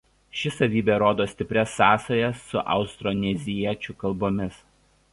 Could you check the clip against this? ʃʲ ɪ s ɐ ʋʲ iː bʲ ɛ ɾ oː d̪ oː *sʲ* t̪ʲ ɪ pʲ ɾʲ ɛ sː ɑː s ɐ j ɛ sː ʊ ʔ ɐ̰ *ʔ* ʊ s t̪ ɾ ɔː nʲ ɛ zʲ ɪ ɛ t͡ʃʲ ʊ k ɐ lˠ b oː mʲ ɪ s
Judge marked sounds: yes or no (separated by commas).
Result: yes, no